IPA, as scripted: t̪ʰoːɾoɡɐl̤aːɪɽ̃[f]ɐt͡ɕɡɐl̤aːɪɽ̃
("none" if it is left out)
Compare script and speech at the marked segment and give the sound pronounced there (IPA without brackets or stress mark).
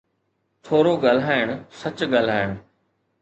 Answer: s